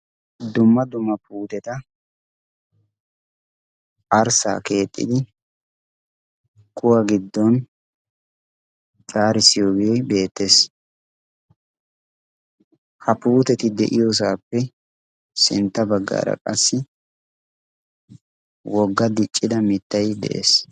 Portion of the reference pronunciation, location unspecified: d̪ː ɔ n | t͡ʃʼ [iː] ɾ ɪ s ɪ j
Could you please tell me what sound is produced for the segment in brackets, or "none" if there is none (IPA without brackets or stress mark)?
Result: aː